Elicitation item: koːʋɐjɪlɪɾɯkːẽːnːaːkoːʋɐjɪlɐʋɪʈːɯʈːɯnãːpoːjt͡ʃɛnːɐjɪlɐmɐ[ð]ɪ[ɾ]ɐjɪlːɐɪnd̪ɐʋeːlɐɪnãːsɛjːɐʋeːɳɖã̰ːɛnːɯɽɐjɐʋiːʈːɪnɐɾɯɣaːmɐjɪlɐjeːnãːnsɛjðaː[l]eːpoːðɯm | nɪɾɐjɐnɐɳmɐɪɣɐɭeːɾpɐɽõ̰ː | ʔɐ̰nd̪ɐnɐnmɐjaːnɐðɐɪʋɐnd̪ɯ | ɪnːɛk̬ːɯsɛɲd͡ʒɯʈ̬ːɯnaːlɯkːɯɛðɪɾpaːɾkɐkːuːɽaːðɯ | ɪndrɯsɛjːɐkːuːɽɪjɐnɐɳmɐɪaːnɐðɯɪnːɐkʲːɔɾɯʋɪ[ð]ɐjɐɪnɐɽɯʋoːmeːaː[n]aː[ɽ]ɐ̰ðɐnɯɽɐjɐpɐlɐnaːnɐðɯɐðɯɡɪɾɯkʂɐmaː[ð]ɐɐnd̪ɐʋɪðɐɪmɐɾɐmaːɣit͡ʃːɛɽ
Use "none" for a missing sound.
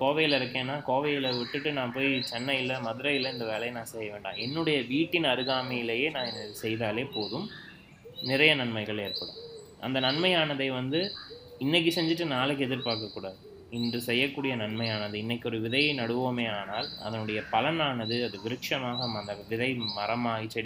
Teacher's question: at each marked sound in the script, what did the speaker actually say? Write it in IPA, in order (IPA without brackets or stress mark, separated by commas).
ð, ɾ, l, ð, n, l, ɣ